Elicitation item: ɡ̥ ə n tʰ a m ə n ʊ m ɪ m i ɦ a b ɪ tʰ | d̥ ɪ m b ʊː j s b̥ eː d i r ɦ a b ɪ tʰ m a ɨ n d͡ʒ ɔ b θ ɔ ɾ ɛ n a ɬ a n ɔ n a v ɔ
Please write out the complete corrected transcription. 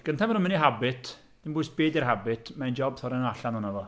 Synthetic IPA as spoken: ɡ̥ ə n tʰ a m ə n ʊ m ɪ n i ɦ a b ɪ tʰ | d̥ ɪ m b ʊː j s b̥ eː d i r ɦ a b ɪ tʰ m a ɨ n d͡ʒ ɔ b θ ɔ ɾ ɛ n a ɬ a n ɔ n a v ɔ